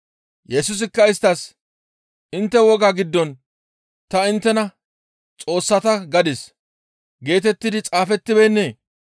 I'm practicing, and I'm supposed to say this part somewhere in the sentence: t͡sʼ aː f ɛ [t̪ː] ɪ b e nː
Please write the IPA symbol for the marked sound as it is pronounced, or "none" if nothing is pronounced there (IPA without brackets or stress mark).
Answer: t̪ː